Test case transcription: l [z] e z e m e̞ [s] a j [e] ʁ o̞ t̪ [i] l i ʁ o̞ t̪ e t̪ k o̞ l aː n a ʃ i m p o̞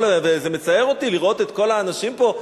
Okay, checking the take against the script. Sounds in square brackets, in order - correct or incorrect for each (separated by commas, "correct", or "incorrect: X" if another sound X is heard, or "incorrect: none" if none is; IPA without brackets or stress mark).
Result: incorrect: v, incorrect: t͡s, correct, correct